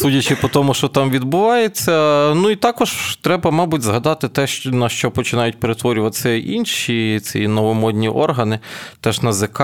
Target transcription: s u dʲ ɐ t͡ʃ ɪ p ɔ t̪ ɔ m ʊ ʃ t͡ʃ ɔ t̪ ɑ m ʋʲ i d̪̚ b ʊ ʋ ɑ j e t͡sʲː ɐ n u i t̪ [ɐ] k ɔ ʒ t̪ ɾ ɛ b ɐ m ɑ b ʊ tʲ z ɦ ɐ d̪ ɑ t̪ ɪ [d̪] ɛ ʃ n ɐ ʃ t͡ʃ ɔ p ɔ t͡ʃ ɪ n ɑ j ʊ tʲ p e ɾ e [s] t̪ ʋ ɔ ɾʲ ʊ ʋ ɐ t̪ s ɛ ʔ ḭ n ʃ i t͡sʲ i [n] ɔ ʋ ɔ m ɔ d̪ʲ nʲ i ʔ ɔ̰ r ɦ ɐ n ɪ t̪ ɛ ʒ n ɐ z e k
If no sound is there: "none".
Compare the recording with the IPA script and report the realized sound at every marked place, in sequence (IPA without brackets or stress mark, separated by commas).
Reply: ɑ, t̪, none, n